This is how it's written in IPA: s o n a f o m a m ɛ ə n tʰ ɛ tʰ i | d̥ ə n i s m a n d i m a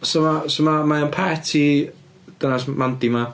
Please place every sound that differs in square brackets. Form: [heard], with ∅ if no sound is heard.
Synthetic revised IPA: s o [m] a [s] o m a m [a] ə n [pʰ] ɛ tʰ i | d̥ ə n [a] s m a n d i m a